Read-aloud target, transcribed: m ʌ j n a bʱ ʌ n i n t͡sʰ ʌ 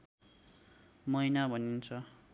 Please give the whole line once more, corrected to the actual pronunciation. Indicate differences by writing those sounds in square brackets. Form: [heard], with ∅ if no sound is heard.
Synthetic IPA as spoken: m ʌ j n a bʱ ʌ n i n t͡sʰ ʌ